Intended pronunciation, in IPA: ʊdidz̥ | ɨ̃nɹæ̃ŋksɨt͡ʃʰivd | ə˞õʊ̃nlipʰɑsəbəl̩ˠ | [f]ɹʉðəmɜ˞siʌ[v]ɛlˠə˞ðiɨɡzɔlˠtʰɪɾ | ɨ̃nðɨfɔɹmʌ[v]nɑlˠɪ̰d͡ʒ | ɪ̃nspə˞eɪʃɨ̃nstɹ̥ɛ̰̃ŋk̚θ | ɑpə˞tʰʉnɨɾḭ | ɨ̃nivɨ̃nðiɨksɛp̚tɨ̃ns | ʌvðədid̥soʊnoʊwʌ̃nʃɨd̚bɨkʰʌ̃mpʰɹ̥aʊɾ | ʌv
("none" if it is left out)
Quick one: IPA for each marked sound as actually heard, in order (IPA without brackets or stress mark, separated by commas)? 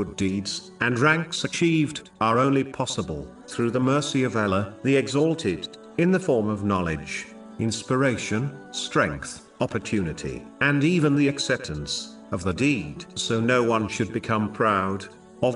θ, v, v